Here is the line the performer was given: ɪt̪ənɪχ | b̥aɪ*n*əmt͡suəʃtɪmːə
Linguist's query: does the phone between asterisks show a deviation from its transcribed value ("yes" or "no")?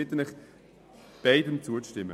yes